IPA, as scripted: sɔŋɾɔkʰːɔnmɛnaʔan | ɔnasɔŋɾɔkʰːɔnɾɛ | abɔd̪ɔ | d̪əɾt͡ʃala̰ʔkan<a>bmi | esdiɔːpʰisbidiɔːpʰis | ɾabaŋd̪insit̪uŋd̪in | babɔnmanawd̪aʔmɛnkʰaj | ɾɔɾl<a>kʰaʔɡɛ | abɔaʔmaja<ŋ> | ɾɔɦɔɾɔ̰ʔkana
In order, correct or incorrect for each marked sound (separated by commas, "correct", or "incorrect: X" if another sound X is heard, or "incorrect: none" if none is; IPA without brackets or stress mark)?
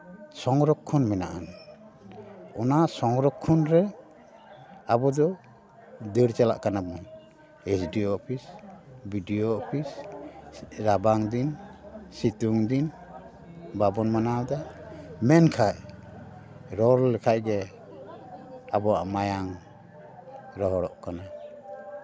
correct, incorrect: ɛ, correct